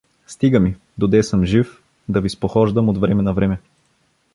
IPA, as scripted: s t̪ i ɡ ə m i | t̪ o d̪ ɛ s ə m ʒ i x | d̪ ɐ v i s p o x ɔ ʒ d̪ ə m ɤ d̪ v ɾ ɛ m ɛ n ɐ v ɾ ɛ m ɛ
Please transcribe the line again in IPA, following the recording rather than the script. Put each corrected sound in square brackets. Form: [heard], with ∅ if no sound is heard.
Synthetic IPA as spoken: s t̪ i ɡ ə m i | [d̪] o d̪ ɛ s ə m ʒ i [f] | d̪ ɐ v i s p o x ɔ ʒ d̪ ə m [o] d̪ v ɾ ɛ m ɛ n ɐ v ɾ ɛ m ɛ